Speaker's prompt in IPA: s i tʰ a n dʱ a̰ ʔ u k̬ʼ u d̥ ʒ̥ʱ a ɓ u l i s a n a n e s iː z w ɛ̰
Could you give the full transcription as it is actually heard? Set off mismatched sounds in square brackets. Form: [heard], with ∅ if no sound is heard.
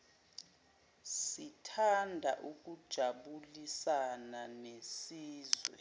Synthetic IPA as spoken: s i tʰ a n dʱ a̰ ʔ u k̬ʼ u d̥ ʒ̥ʱ a ɓ u l i s a n a n e s iː z w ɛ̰